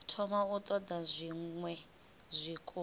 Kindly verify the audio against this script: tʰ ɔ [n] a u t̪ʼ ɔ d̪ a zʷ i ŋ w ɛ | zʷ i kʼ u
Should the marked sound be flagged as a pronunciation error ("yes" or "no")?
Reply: yes